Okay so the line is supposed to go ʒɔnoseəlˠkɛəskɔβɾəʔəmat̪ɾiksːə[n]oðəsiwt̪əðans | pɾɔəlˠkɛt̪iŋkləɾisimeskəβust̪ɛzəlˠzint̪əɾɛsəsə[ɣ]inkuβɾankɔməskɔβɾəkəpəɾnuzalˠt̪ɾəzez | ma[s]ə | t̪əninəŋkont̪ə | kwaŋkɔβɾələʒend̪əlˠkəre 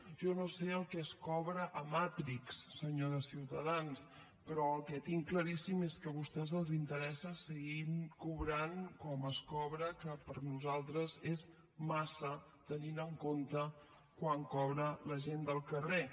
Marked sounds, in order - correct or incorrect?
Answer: incorrect: ɲ, correct, correct

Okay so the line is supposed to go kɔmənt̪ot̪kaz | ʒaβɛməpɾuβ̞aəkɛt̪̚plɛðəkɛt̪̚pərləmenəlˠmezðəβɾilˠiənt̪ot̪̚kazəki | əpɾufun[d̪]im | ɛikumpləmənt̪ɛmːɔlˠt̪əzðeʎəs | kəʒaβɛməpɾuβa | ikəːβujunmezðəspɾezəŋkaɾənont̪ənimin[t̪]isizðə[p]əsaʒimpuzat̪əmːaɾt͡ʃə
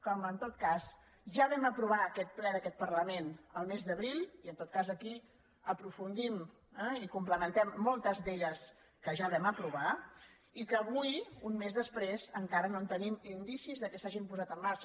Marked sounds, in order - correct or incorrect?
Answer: correct, incorrect: d̪, incorrect: k

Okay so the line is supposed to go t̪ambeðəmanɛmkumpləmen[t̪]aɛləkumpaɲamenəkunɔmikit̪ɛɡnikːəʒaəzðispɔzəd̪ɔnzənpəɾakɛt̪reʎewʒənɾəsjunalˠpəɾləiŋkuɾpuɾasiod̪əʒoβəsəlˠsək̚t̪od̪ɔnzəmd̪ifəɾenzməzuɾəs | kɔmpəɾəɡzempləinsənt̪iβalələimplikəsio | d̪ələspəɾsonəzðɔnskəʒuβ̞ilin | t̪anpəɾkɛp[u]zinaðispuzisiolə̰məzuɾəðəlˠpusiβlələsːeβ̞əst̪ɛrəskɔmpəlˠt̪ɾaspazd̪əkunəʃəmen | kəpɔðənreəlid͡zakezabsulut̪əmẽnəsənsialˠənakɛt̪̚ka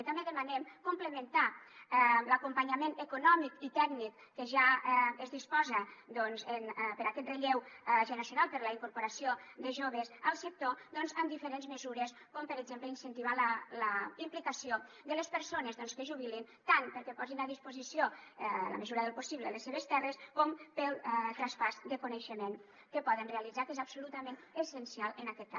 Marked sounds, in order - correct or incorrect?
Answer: correct, incorrect: ɔ

